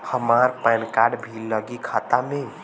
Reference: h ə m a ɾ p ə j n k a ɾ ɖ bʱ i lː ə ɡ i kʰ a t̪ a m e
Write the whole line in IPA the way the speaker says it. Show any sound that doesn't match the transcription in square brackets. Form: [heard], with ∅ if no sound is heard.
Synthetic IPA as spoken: h ə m a ɾ p [a] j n k a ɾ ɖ bʱ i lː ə ɡ i kʰ a t̪ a m e